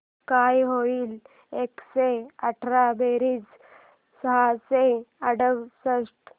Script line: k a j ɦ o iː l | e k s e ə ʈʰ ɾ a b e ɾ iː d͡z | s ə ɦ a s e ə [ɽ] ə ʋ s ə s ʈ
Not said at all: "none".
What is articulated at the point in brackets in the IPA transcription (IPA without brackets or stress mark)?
ɽ